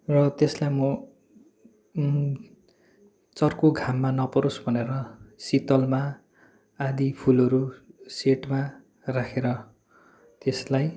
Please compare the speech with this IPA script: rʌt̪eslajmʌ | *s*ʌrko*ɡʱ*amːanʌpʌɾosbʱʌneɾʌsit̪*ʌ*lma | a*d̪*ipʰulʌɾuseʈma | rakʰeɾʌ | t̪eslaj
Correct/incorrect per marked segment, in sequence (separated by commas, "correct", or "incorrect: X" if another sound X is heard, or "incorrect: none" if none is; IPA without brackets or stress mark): incorrect: t͡s, correct, correct, correct